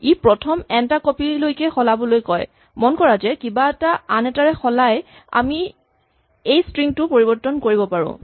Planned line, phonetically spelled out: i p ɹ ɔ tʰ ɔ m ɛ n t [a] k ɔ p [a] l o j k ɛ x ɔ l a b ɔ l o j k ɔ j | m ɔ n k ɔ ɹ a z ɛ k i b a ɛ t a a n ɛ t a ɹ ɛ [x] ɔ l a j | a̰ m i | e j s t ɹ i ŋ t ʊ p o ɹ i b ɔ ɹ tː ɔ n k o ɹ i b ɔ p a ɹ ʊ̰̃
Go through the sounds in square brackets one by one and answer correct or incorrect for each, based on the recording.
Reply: correct, incorrect, correct

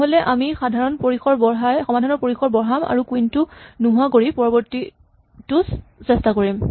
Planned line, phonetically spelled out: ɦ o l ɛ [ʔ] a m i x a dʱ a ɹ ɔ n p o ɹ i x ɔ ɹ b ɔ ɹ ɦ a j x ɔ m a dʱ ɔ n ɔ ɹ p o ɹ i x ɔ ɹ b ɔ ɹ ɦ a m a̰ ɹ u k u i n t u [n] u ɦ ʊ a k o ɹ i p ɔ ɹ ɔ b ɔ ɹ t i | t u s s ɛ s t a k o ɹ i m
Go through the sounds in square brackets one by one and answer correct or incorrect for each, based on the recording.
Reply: correct, correct

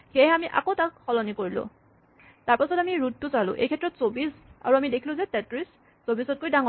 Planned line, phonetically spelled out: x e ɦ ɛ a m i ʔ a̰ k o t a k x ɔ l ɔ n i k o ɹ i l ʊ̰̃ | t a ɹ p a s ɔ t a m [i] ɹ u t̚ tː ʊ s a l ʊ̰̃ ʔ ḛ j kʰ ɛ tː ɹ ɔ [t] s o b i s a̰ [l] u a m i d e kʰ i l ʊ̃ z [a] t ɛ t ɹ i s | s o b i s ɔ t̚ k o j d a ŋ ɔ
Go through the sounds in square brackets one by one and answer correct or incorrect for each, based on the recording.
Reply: correct, correct, incorrect, incorrect

